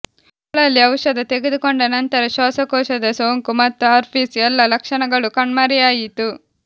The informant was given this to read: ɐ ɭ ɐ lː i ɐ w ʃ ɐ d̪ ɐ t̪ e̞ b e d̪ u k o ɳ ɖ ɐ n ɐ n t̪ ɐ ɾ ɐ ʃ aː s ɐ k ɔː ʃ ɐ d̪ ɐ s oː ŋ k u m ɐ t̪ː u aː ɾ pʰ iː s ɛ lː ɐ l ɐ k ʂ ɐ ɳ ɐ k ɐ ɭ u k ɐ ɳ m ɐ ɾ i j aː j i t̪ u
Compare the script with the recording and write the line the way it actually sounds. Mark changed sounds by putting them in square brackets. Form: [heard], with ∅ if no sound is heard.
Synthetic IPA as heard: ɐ ɭ ɐ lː i ɐ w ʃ ɐ d̪ ɐ t̪ e̞ [ɡ] e d̪ u k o ɳ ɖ ɐ n ɐ n t̪ ɐ ɾ ɐ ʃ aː s ɐ k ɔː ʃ ɐ d̪ ɐ s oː ŋ k u m ɐ t̪ː u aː ɾ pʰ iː s ɛ lː ɐ l ɐ k ʂ ɐ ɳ ɐ [ɡ] ɐ ɭ u k ɐ ɳ m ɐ ɾ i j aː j i t̪ u